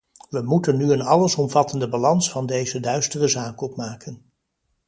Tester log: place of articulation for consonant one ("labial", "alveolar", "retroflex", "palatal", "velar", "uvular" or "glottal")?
labial